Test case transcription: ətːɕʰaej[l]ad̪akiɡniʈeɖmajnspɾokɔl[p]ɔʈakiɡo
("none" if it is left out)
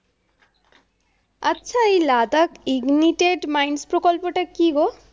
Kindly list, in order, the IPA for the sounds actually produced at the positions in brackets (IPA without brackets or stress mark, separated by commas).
l, p